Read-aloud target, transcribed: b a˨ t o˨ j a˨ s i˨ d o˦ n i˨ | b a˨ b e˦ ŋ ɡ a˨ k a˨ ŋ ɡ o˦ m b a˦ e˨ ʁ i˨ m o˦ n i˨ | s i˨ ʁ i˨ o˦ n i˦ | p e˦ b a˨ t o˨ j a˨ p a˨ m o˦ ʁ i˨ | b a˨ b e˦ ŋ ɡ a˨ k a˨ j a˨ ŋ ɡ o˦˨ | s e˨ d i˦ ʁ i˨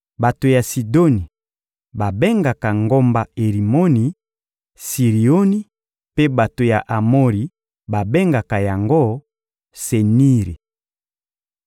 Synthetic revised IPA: b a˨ t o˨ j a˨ s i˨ d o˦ n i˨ | b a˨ b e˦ ŋ ɡ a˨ k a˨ ŋ ɡ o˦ m b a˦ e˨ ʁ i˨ m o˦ n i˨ | s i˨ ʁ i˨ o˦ n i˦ | p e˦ b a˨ t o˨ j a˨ ʔ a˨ m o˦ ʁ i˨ | b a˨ b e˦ ŋ ɡ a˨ k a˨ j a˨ ŋ ɡ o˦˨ | s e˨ n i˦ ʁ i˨